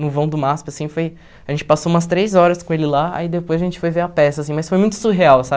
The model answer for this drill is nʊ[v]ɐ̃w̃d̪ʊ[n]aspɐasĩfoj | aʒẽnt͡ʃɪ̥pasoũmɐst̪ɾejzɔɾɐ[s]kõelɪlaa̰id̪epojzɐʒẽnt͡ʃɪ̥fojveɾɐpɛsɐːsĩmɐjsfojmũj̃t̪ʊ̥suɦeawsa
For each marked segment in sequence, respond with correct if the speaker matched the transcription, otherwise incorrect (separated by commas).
correct, incorrect, correct